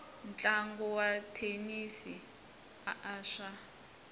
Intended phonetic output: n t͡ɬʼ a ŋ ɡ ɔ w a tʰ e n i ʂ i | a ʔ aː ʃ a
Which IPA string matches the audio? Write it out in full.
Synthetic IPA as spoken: n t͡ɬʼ a ŋ ɡ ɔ w a tʰ e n i s i | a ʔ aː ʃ a

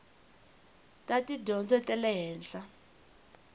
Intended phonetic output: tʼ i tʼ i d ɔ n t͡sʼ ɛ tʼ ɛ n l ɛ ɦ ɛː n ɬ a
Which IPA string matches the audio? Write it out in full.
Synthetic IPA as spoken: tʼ a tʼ i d ɔ n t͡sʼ ɛ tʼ ɛ l ɛ ɦ ɛː n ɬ a

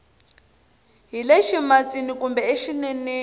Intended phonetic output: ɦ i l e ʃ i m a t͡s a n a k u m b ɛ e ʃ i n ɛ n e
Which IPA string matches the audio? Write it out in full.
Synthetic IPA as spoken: ɦ i l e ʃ i m a t͡s i n i k u m b ɛ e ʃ i n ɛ n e

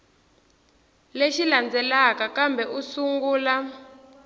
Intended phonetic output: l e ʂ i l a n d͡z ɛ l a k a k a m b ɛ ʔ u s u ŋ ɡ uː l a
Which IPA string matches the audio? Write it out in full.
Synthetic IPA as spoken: l e ʃ i l a n d͡z ɛ l a k a k a m b ɛ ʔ u s u ŋ ɡ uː l a

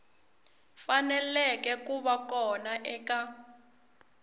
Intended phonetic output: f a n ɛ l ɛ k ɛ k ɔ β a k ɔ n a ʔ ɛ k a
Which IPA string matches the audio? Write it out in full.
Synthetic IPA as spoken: f a n ɛ l ɛ k ɛ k u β a k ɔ n a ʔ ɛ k a

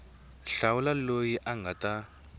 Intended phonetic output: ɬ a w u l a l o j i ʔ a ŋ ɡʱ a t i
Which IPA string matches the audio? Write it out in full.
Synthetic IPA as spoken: ɬ a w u l a l o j i ʔ a ŋ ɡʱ a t a

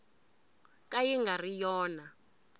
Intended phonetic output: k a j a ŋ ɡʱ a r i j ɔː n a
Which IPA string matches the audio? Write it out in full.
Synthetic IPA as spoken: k a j i ŋ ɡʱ a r i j ɔː n a

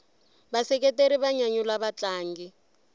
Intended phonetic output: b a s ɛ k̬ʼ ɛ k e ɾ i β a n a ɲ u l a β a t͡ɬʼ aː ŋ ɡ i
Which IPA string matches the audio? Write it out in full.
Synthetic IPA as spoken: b a s ɛ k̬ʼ ɛ t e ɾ i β a ɲ a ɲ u l a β a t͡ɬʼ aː ŋ ɡ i

